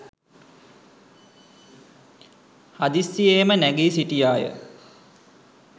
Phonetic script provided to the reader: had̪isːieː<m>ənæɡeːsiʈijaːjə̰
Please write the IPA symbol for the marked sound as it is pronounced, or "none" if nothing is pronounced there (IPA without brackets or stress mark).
m